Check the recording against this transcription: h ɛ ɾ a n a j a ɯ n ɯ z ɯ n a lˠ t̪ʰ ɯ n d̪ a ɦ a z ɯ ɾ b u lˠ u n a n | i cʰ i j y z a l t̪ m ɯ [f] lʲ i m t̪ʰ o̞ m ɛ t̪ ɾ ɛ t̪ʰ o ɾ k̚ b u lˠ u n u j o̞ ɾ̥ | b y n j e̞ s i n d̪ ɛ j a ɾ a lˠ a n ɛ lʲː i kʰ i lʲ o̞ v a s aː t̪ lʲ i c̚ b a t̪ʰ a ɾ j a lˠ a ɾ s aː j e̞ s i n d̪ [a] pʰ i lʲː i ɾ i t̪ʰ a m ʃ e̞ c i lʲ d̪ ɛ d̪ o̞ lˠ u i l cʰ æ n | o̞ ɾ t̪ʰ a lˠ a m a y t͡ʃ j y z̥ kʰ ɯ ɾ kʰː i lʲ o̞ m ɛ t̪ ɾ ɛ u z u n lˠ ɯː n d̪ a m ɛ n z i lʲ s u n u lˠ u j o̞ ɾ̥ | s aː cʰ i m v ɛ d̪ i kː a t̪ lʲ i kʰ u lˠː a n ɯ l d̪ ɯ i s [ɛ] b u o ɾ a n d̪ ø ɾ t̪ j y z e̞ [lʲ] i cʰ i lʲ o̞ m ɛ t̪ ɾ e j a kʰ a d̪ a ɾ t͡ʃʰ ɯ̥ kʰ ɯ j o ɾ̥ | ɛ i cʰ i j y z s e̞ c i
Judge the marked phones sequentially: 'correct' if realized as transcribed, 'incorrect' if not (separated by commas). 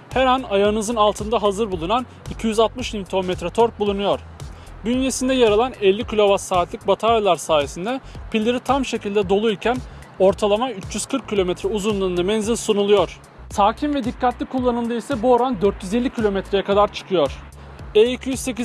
incorrect, incorrect, correct, incorrect